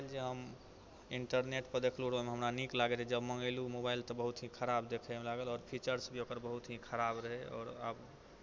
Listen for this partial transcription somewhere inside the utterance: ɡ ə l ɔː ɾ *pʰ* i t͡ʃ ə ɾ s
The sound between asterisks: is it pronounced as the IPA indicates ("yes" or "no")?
yes